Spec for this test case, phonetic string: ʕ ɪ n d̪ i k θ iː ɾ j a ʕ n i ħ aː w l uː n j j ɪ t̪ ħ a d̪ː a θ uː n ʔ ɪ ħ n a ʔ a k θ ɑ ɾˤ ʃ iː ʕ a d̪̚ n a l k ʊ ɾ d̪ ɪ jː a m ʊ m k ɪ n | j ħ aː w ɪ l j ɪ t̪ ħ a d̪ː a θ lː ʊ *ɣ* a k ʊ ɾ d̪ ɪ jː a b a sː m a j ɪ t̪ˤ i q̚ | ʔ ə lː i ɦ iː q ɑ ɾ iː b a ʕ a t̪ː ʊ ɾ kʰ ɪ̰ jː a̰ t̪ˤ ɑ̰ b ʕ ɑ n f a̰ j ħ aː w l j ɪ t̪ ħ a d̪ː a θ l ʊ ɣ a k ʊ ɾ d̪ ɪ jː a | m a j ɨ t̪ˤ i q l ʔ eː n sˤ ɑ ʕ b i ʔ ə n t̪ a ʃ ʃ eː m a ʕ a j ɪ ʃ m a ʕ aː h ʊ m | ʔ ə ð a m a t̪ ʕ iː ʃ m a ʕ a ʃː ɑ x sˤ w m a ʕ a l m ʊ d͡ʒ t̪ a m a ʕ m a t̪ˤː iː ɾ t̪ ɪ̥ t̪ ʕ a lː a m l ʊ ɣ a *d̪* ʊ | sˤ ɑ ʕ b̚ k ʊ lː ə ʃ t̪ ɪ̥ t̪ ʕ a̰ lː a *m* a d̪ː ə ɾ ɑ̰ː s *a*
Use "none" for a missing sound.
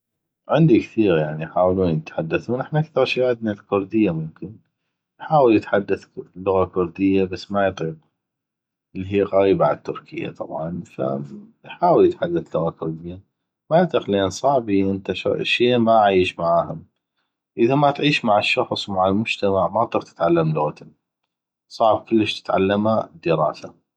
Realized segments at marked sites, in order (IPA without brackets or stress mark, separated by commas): ɣ, t̪, m, a